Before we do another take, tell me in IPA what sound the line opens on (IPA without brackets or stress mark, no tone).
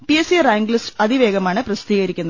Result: p